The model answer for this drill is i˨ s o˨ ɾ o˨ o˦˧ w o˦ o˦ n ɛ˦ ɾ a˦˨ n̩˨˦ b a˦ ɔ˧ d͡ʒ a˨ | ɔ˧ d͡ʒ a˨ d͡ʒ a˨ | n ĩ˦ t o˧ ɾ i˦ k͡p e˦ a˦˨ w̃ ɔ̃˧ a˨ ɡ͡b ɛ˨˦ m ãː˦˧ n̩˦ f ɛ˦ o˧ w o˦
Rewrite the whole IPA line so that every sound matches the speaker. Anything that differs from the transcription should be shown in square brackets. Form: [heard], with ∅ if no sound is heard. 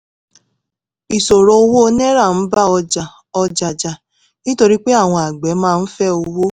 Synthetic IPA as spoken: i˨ s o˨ ɾ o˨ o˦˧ w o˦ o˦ n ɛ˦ ɾ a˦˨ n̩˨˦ b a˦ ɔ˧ d͡ʒ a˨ | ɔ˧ d͡ʒ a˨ d͡ʒ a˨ | n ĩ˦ t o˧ ɾ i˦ k͡p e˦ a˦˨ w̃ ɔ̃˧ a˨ ɡ͡b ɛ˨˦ m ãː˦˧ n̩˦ f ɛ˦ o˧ w o˦